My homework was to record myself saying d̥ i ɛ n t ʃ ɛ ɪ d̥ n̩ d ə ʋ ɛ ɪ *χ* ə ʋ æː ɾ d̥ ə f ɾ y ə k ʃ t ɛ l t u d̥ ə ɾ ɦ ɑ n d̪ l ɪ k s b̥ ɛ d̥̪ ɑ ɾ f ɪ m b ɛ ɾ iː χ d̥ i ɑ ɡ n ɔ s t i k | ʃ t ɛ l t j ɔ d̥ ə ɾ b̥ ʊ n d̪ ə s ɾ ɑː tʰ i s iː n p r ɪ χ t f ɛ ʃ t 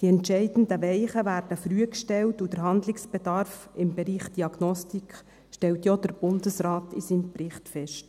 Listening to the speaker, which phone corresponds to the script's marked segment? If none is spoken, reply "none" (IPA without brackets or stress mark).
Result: χ